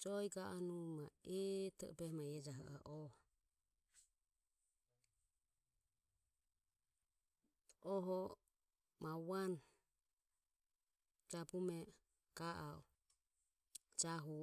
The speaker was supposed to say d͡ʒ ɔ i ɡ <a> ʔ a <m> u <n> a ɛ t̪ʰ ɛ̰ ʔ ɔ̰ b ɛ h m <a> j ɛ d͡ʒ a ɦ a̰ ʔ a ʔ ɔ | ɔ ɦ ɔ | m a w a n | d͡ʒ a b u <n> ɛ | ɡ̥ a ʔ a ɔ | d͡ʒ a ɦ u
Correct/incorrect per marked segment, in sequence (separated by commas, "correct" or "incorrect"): correct, incorrect, incorrect, correct, incorrect